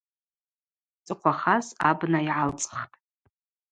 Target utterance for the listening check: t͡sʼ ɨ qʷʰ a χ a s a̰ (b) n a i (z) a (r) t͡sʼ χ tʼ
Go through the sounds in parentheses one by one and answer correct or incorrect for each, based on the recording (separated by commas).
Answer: correct, incorrect, incorrect